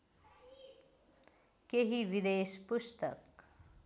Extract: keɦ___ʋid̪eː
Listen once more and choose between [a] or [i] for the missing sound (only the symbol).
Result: i